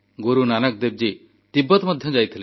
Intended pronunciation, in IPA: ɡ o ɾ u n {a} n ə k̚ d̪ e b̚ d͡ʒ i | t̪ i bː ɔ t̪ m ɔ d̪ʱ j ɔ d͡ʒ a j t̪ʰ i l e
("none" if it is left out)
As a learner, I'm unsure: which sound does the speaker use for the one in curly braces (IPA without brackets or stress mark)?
a